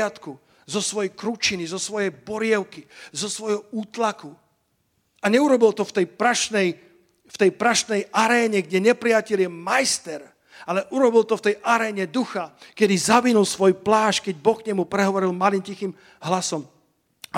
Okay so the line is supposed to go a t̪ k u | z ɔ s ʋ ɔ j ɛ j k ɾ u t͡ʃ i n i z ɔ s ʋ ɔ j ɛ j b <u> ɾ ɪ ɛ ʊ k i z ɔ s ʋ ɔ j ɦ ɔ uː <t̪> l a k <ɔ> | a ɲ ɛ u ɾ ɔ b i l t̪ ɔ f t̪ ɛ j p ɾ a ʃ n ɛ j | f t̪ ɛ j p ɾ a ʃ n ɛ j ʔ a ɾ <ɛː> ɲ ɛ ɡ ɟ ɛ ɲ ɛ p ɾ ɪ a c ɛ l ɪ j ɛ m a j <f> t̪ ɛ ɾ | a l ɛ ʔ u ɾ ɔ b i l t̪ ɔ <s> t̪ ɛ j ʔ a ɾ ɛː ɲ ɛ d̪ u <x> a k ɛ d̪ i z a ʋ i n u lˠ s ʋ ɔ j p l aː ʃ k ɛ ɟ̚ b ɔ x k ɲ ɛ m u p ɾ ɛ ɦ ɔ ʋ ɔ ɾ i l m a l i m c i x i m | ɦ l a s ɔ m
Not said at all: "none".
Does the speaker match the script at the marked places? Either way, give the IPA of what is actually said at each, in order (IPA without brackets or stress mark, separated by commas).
ɔ, t̪, u, ɛː, s, f, x